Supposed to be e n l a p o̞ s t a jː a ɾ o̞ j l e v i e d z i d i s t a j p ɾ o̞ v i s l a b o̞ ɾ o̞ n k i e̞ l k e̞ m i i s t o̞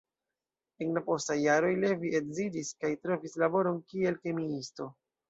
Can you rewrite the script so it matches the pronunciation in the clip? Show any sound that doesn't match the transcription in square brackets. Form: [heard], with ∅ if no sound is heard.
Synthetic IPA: e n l a p o̞ s t a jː a ɾ o̞ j l e v i e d z i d i s [k] a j [t] ɾ o̞ v i s l a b o̞ ɾ o̞ n k i e̞ l k e̞ m i i s t o̞